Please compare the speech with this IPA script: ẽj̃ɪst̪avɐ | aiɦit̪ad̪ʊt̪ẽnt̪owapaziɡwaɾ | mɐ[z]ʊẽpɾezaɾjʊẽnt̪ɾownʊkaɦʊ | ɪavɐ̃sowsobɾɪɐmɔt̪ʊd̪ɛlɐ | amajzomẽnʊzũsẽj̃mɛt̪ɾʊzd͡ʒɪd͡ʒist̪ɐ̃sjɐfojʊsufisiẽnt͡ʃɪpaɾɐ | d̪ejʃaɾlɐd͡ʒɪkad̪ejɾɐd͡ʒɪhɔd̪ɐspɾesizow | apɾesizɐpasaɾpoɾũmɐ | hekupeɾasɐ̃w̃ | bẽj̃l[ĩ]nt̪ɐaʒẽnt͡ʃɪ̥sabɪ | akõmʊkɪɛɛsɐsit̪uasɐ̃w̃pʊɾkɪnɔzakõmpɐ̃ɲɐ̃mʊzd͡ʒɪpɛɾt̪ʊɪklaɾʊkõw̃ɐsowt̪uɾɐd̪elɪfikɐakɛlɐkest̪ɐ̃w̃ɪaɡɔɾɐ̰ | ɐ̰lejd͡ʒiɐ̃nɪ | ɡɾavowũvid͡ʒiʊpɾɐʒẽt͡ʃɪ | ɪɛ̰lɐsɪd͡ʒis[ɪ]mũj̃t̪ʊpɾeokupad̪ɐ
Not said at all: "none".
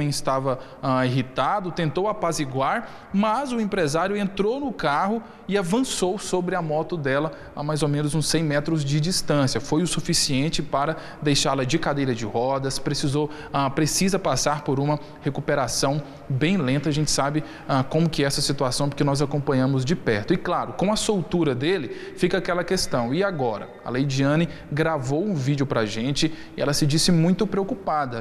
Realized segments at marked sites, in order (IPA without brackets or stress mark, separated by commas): z, ẽ, ɪ